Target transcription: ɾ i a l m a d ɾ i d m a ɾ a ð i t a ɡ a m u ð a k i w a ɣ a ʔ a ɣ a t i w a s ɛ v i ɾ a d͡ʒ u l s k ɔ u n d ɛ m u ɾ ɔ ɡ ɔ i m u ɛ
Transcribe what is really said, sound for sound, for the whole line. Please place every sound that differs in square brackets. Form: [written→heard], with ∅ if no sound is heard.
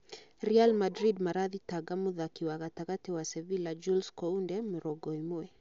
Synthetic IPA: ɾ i a l m a d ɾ i d m a ɾ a ð i t a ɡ a m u ð a k i w a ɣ a [ʔ→t] a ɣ a t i w a s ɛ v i [ɾ→l] a d͡ʒ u l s k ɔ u n d ɛ m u ɾ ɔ ɡ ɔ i m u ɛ